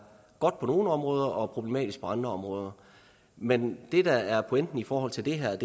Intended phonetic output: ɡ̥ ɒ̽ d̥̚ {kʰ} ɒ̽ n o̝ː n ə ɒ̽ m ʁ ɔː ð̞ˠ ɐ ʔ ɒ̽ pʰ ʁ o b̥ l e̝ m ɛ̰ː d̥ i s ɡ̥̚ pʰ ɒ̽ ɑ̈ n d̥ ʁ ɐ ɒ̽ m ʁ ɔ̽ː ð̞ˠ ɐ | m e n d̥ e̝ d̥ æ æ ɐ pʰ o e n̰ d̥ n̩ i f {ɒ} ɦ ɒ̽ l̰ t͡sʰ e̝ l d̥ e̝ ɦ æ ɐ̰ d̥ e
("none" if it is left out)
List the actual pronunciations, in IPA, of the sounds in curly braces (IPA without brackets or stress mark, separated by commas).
pʰ, ɒː